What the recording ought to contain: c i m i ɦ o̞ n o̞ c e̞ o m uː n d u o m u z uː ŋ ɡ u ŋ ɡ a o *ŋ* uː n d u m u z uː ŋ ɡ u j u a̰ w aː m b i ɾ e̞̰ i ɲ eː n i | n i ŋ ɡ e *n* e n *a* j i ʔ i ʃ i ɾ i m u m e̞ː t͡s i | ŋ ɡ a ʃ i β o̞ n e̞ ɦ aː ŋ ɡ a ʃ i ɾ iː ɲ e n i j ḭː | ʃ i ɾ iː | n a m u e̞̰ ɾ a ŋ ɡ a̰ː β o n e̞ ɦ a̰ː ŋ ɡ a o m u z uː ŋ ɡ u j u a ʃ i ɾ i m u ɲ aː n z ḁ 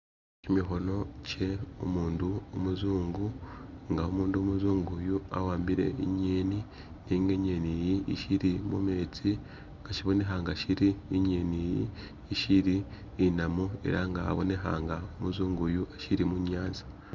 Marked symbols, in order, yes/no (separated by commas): no, no, no